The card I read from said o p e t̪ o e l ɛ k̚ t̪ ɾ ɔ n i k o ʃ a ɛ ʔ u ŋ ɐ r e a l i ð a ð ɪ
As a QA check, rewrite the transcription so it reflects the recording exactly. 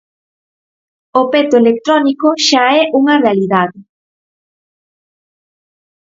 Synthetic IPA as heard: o p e t̪ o e l e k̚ t̪ ɾ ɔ n i k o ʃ a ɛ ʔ u ŋ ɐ r e a l i ð a ð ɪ